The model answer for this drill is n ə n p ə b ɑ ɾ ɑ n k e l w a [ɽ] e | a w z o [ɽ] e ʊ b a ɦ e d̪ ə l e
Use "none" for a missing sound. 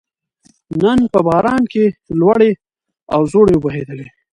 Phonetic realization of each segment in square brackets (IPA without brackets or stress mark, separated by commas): ɽ, ɽ